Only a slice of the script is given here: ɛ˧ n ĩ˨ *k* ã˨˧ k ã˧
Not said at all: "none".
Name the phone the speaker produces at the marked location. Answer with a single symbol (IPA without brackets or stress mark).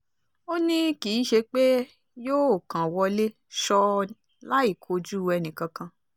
k